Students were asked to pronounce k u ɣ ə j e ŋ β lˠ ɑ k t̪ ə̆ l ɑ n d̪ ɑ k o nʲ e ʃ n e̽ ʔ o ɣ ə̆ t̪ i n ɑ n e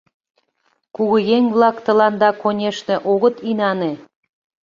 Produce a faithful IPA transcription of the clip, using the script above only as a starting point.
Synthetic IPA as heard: k u ɣ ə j e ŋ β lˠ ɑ k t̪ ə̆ l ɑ n d̪ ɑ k o nʲ e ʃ n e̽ ʔ o ɣ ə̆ t̪ i n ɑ n e